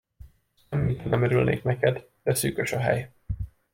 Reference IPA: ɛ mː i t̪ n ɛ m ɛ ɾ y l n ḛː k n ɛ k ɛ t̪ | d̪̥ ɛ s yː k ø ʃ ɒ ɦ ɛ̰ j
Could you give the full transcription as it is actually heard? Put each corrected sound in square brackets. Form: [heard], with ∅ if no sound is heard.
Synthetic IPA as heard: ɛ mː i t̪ n ɛ m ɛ ɾ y l n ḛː k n ɛ k ɛ [d̪] | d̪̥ ɛ s yː k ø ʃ ɒ ɦ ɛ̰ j

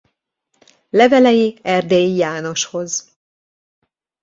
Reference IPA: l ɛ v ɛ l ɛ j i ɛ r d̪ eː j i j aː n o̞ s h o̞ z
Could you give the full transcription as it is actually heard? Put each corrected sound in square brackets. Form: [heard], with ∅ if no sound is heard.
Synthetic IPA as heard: l ɛ v ɛ l ɛ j i ɛ r d̪ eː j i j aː n o̞ [ʃ] h o̞ z

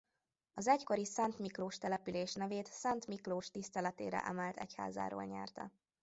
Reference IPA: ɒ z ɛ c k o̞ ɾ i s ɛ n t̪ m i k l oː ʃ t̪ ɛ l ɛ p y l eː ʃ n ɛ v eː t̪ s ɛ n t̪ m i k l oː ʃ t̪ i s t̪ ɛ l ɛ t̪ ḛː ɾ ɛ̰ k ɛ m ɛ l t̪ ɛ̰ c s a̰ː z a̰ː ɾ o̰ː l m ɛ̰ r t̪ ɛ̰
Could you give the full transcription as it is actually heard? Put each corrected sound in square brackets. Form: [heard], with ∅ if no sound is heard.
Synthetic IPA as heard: ɒ z ɛ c k o̞ ɾ i s ɛ n t̪ m i k l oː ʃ t̪ ɛ l ɛ p y l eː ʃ n ɛ v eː t̪ s ɛ n t̪ m i k l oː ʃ t̪ i s t̪ ɛ l ɛ t̪ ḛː ɾ ɛ̰ [ʔ] ɛ m ɛ l t̪ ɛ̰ c [h] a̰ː z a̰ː ɾ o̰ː l [ɲ] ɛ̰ r t̪ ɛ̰

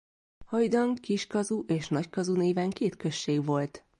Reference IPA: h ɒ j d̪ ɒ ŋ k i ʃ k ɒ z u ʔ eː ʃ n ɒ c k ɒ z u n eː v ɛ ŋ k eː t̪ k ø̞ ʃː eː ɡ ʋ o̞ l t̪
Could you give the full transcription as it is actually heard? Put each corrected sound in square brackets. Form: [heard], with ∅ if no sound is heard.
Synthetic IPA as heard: h ɒ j d̪ ɒ ŋ k i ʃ k ɒ z u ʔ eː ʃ n ɒ c k ɒ z u n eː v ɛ ŋ k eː t̪ k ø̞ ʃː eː ɡ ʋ o̞ l t̪

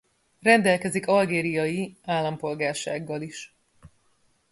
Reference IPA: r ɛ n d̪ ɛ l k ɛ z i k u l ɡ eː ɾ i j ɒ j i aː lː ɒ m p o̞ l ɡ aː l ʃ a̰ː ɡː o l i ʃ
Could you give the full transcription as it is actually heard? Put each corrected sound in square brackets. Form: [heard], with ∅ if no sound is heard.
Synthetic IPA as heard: r ɛ n d̪ ɛ l k ɛ z i k [ɒ] l ɡ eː ɾ i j ɒ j i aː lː ɒ m p o̞ l ɡ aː [r] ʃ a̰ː ɡː [ɒ] l i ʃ

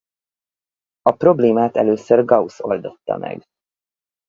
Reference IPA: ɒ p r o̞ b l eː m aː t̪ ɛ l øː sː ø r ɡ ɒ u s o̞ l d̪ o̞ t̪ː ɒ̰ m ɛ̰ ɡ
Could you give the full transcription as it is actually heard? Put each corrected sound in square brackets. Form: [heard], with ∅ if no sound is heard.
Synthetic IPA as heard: ɒ p r o̞ b l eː m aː t̪ ɛ l øː [s] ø r ɡ ɒ u s o̞ l d̪ o̞ t̪ː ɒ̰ m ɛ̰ ɡ

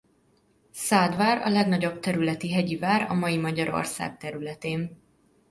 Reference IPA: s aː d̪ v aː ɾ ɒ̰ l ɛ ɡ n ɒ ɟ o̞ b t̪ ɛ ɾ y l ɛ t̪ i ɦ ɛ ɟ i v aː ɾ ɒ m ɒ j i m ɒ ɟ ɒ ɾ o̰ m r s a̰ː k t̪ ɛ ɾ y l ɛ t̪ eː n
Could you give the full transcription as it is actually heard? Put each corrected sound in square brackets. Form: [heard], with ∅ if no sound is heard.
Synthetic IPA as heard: s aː d̪ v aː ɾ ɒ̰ l ɛ ɡ n ɒ ɟ o̞ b t̪ ɛ ɾ y l ɛ t̪ i ɦ ɛ ɟ i v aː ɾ ɒ m ɒ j i m ɒ ɟ ɒ ɾ o̰ [∅] r s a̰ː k t̪ ɛ ɾ y l ɛ t̪ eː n

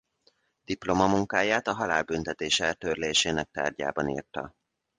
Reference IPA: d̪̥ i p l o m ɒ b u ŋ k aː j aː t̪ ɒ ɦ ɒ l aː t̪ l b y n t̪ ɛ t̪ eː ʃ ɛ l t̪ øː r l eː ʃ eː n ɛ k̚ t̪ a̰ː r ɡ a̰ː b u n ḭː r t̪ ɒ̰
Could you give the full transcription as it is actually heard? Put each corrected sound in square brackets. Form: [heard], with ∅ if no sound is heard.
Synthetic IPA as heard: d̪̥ i p l o m ɒ [m] u ŋ k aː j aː t̪ ɒ ɦ ɒ l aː [∅] l b y n t̪ ɛ t̪ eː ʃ ɛ l t̪ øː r l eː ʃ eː n ɛ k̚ t̪ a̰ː r [ɟ] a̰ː b [ɒ] n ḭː r t̪ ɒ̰

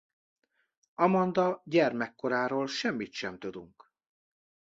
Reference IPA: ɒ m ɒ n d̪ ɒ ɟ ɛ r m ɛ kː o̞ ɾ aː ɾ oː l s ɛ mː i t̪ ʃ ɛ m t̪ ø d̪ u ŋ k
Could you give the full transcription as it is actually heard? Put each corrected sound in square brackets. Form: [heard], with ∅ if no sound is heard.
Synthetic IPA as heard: ɒ m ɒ n d̪ ɒ ɟ ɛ r m ɛ kː o̞ ɾ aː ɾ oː l [ʃ] ɛ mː i t̪ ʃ ɛ m t̪ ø d̪ u ŋ k

